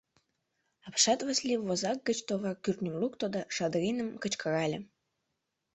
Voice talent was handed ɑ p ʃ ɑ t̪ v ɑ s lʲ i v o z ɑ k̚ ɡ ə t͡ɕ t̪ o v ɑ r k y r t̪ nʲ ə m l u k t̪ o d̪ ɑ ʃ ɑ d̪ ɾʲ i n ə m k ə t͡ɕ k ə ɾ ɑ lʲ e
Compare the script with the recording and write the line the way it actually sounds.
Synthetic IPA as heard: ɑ p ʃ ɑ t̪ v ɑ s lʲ i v o z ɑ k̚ ɡ ə t͡ɕ t̪ o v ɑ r k y r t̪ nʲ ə m l u k t̪ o d̪ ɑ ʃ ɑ d̪ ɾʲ i n ə m k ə t͡ɕ k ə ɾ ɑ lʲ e